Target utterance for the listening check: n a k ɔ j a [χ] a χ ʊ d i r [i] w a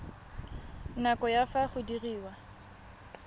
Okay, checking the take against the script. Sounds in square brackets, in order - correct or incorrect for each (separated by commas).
incorrect, incorrect